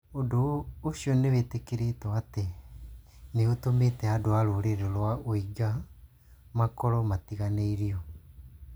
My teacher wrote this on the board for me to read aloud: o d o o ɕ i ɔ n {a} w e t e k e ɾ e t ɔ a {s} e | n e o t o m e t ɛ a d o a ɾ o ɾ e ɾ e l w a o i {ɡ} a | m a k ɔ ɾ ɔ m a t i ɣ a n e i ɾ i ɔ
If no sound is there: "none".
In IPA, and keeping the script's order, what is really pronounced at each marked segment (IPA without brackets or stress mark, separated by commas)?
e, t, ɡ